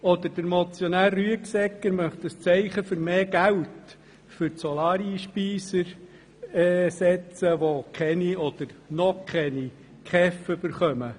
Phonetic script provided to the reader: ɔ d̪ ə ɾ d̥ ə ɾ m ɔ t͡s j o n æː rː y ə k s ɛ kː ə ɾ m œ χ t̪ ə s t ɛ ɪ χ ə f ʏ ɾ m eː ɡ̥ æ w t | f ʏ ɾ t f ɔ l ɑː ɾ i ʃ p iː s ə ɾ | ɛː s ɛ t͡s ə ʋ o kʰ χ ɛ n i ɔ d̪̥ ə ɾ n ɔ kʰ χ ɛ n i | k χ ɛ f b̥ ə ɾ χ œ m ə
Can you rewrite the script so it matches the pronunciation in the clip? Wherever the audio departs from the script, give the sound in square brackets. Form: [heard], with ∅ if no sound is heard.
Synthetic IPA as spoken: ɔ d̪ ə ɾ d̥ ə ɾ m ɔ t͡s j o n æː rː y ə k s ɛ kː ə ɾ m œ χ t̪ ə s [t͡s] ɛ ɪ χ ə f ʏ ɾ m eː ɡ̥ æ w t | f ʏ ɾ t [s] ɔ l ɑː ɾ i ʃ p iː s ə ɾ | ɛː s ɛ t͡s ə ʋ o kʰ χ ɛ n i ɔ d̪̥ ə ɾ n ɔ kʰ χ ɛ n i | k χ ɛ f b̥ ə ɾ χ œ m ə